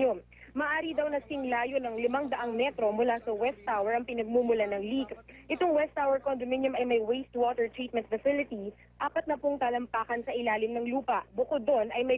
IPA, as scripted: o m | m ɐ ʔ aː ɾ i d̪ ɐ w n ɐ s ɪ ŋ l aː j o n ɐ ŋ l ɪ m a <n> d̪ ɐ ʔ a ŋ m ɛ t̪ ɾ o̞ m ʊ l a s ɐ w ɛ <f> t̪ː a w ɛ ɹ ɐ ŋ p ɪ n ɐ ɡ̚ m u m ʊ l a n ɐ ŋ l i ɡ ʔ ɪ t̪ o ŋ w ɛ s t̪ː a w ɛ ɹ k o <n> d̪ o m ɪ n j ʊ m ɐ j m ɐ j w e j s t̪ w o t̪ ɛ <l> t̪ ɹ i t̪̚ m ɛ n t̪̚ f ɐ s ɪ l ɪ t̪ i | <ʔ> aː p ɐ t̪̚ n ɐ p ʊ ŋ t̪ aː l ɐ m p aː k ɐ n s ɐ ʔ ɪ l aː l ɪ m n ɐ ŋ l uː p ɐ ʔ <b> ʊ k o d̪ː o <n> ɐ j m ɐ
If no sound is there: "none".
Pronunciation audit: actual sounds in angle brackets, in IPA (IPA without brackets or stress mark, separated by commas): ŋ, s, n, ɹ, ʔ, b, n